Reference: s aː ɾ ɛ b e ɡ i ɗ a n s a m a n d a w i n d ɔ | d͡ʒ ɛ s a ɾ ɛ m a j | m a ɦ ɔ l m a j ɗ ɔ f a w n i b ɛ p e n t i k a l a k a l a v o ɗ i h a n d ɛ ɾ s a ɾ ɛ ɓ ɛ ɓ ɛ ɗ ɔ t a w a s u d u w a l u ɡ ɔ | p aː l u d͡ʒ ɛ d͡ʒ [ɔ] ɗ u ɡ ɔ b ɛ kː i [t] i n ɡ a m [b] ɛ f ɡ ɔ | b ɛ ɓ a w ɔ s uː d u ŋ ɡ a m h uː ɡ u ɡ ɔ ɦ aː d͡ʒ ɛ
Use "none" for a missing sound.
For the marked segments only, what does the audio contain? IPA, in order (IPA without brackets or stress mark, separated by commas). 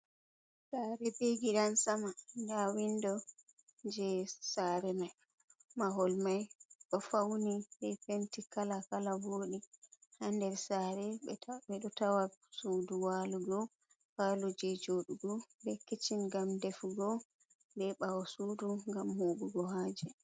o, t͡ʃ, d